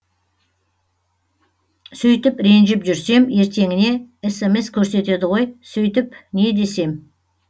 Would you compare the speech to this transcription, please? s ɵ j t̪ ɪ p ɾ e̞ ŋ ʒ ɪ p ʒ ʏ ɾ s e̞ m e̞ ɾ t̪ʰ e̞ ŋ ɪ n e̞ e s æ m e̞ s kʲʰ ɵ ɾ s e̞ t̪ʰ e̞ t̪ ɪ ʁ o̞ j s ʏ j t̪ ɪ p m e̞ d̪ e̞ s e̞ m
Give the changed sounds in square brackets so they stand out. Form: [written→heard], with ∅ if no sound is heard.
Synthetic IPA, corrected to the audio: s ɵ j t̪ ɪ p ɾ e̞ [ŋ→n] ʒ ɪ p ʒ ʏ ɾ s e̞ m e̞ ɾ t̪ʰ e̞ ŋ ɪ n e̞ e s [æ→e] m e̞ s kʲʰ ɵ ɾ s e̞ [t̪ʰ→t̪] e̞ [t̪→d̪] ɪ ʁ o̞ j s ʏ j t̪ ɪ p [m→n] e̞ d̪ e̞ s e̞ m